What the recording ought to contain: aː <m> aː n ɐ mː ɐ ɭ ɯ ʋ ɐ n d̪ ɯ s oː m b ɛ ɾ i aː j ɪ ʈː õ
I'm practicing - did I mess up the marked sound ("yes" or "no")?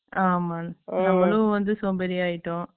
no